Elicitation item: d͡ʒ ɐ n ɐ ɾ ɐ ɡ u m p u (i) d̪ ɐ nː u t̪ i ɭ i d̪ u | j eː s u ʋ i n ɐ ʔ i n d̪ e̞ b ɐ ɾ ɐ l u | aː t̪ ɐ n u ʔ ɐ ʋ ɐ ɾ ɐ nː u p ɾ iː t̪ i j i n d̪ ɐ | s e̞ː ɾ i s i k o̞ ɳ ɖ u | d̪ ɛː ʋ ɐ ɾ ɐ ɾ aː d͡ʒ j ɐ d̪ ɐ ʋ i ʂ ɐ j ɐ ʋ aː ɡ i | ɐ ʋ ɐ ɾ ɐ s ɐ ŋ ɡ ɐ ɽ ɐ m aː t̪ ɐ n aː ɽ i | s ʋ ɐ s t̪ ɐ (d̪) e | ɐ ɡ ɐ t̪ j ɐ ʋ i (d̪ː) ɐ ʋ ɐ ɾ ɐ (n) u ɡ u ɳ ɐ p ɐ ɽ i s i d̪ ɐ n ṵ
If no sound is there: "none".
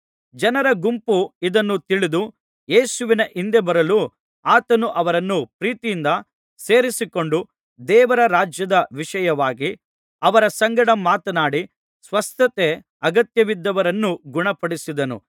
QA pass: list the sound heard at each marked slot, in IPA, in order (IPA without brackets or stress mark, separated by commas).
i, t̪, d̪ː, nː